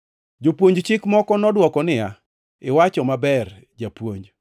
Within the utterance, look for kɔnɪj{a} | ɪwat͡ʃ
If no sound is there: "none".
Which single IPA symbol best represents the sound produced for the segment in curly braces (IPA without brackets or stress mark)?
a